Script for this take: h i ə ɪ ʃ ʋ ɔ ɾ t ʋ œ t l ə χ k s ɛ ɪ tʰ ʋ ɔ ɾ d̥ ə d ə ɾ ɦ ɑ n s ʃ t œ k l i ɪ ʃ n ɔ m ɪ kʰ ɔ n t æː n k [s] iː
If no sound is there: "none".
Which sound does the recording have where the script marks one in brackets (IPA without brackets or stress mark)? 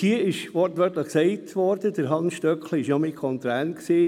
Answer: s